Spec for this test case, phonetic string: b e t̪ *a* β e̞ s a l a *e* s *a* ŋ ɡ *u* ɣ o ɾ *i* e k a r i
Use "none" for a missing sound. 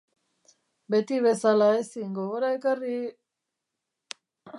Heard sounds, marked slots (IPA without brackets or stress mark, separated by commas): i, e, i, o, a